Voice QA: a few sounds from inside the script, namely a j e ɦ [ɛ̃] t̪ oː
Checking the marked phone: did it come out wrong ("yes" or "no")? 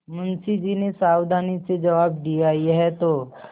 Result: yes